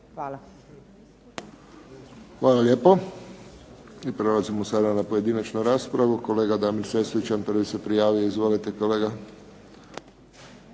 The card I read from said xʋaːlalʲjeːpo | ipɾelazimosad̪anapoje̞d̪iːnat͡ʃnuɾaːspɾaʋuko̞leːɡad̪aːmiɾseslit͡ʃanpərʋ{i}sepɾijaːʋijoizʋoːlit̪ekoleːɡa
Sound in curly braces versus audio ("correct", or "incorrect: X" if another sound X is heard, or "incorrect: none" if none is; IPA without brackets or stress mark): correct